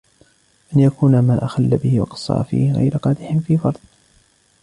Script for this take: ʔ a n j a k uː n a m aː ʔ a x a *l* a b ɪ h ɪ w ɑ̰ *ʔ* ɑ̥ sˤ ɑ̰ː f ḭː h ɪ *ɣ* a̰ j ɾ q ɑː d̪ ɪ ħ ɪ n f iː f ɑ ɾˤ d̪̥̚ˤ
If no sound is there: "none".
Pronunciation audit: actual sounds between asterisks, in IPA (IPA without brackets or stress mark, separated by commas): lː, q, ɣ